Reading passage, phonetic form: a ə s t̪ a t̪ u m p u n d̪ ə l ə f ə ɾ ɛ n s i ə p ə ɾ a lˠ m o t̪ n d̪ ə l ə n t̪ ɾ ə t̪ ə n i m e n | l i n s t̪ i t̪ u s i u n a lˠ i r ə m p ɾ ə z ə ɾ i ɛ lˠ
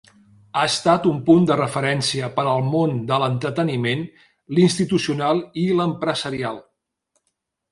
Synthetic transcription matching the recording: a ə s t̪ a t̪ u m p u n d̪ ə r ə f ə ɾ ɛ n s i ə p ə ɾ ə lˠ m o n d̪ ə l ə n t̪ ɾ ə t̪ ə n i m e n | l i n s t̪ i t̪ u s i u n a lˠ i l ə m p ɾ ə z ə ɾ i a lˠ